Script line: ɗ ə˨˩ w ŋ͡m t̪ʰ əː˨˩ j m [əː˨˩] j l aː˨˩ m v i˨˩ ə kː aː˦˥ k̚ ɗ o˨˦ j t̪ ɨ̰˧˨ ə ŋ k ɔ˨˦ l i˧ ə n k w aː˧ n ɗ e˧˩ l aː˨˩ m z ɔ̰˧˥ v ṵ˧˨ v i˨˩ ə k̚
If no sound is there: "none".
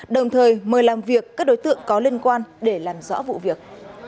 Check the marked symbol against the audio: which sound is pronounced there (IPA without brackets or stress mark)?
əː˨˩